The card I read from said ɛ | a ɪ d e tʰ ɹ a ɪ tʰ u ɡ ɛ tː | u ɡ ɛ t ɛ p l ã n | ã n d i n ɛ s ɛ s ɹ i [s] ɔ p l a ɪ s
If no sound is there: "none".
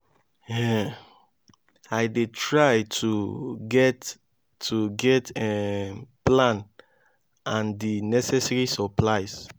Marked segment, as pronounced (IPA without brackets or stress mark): s